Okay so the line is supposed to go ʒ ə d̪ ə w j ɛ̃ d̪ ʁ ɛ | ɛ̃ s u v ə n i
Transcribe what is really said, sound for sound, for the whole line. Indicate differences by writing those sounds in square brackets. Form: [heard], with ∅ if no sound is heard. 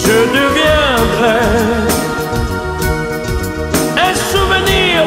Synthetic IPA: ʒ ə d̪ ə [v] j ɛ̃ d̪ ʁ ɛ | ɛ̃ s u v ə n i